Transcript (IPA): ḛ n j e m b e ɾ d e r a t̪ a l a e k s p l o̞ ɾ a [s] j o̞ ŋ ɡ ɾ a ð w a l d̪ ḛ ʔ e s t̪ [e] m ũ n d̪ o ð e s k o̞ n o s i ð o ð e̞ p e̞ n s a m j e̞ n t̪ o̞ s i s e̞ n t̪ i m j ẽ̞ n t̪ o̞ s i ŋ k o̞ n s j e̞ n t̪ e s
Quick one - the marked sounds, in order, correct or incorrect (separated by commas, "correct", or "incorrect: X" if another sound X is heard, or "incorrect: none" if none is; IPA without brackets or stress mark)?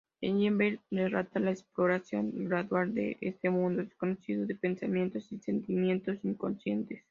correct, correct